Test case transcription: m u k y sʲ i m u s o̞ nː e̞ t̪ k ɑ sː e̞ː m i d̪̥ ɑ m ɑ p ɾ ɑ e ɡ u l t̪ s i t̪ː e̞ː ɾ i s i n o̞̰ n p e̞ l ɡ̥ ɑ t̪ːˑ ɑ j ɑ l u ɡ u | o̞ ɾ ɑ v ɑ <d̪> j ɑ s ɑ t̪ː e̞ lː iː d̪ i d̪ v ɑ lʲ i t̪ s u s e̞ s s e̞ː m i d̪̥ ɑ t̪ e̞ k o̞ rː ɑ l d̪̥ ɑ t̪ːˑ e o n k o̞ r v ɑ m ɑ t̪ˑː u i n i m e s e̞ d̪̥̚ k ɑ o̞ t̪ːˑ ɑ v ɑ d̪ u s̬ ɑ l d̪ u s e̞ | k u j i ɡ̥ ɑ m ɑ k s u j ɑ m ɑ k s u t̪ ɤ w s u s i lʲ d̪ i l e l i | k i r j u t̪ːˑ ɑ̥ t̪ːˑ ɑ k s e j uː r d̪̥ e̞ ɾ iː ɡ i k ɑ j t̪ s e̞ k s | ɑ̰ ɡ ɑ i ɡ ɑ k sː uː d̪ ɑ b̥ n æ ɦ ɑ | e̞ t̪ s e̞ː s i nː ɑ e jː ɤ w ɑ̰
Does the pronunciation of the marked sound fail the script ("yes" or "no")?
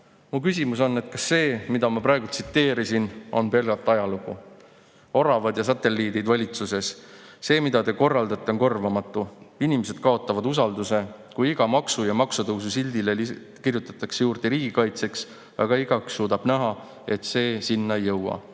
no